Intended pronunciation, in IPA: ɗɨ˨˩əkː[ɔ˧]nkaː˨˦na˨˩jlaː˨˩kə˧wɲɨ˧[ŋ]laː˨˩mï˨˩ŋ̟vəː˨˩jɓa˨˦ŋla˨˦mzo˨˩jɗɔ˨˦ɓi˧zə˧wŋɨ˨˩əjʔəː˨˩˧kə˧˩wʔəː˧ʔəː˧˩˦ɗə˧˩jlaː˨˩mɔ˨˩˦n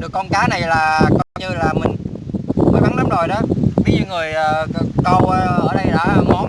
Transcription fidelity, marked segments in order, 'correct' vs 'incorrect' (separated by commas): correct, incorrect